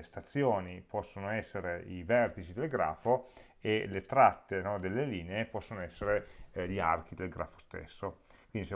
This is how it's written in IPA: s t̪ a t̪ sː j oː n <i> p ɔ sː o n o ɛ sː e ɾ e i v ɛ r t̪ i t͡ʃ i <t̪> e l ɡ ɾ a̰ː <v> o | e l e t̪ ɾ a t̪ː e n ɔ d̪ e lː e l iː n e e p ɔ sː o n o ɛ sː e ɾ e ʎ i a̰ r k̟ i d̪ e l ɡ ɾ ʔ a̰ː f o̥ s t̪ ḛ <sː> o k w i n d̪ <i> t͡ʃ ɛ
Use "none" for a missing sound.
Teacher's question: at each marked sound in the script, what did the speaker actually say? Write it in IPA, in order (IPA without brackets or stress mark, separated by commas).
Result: i, d̪, f, sː, i